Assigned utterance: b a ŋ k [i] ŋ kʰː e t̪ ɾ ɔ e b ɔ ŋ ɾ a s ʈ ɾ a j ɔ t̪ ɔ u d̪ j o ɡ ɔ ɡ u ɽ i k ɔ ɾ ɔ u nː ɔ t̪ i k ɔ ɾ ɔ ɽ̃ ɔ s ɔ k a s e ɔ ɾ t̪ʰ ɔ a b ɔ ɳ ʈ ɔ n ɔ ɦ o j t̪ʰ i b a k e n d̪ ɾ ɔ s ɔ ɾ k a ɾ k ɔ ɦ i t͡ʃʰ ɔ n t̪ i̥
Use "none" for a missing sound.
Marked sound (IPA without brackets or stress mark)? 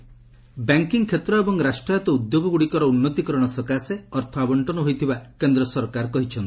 i